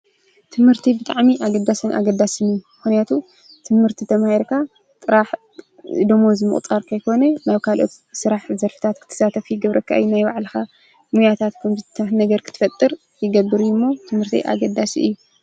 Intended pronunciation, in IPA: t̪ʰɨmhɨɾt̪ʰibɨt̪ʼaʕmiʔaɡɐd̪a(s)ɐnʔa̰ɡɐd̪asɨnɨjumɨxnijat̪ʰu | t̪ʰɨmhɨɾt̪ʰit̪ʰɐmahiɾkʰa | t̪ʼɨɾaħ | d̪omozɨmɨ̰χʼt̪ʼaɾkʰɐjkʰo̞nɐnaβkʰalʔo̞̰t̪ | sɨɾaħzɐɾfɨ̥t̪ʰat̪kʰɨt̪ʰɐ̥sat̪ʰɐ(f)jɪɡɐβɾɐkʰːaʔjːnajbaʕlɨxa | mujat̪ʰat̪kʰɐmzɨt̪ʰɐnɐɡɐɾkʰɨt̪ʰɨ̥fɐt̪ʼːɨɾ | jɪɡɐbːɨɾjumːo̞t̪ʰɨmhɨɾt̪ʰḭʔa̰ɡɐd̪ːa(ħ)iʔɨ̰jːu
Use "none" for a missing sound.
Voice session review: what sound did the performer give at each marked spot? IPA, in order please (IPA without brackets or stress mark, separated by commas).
s, f, s